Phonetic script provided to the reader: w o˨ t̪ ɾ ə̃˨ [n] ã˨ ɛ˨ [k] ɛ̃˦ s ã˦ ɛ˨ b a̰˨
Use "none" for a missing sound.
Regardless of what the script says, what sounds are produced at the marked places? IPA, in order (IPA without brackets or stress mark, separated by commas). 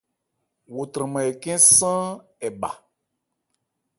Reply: m, k